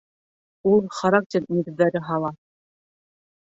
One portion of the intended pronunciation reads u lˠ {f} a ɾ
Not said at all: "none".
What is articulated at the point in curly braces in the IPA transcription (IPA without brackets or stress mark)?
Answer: χ